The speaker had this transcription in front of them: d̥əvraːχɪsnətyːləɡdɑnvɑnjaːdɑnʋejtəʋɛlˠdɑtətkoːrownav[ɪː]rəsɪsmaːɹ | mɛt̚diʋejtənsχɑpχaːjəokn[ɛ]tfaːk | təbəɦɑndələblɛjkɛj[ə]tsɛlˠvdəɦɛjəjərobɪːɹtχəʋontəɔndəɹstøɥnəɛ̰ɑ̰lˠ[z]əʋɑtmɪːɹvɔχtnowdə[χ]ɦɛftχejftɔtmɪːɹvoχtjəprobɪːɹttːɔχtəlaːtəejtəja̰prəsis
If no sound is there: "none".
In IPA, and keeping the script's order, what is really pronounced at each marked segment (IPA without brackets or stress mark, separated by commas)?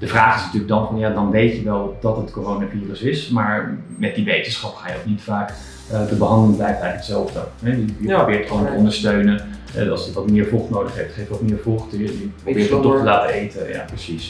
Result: iː, i, ə, s, χ